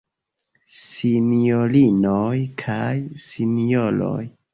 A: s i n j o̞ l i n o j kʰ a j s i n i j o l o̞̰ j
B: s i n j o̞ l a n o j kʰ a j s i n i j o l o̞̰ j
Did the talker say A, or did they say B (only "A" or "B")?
A